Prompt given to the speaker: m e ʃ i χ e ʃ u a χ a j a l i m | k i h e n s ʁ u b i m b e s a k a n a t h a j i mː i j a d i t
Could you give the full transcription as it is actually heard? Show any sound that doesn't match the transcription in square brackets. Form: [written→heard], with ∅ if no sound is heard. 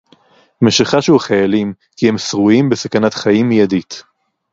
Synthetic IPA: m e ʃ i χ [e→a] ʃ u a χ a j a l i m | k i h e [n→m] s ʁ u [b→∅] i m b e s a k a n a t [h→χ] a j i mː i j a d i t